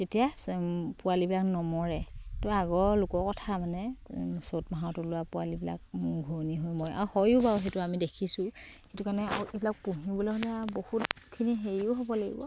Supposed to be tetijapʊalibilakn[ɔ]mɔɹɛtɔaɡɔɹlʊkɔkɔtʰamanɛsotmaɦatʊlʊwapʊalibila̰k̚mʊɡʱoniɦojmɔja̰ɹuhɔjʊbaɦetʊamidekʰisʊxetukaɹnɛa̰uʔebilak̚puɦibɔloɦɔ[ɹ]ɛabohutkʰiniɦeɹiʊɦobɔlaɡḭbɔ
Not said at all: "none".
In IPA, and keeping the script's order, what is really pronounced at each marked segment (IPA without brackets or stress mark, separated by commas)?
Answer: ɔ, l